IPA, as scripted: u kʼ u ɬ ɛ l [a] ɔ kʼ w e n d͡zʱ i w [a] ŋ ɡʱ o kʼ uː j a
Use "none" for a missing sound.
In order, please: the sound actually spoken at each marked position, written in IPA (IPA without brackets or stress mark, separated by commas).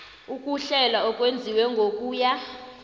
a, ɛ